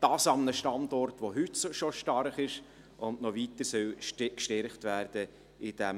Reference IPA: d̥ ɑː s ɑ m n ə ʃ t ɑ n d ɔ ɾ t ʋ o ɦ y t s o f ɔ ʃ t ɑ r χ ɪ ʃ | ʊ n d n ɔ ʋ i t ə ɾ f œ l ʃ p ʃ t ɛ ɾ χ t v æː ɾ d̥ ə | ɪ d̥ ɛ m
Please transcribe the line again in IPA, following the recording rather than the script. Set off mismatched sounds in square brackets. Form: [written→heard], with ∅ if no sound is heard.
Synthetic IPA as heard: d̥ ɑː s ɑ m n ə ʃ t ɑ n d ɔ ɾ t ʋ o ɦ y t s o [f→ʃ] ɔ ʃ t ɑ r χ ɪ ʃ | ʊ n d n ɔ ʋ i t ə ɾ [f→s] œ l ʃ [p→k] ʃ t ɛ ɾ χ t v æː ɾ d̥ ə | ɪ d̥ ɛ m